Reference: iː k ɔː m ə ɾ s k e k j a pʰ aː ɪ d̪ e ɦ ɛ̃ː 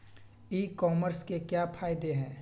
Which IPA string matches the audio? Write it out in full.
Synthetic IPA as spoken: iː k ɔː m ə ɾ s k e k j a pʰ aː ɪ d̪ e ɦ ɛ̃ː